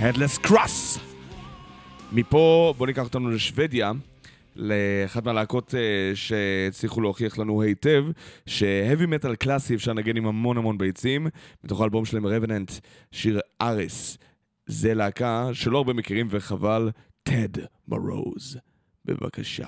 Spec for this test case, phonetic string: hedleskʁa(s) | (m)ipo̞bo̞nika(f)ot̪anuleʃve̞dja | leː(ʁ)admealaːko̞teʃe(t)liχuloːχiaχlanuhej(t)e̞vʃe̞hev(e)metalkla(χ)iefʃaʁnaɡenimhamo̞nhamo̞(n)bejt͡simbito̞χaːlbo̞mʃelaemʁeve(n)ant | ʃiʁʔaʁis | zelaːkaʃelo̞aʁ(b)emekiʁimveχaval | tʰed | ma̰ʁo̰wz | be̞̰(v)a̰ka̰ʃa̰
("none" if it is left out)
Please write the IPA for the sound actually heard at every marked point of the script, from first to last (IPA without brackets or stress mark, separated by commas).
s, m, χ, χ, t͡s, t, i, s, n, n, b, v